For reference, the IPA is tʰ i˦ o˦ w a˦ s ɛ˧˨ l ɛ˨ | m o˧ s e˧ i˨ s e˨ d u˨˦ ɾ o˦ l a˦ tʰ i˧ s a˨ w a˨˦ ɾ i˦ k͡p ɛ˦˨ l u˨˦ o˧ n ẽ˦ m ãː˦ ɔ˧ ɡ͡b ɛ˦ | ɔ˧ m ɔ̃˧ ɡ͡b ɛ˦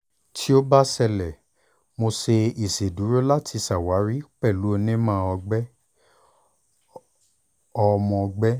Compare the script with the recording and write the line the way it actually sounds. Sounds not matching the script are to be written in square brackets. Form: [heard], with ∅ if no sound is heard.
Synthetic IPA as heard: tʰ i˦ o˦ [b] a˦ s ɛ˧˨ l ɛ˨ | m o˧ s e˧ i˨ s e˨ d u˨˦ ɾ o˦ l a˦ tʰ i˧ s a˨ w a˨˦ ɾ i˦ k͡p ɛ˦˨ l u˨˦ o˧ n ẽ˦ m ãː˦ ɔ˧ ɡ͡b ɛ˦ | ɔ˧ m ɔ̃˧ ɡ͡b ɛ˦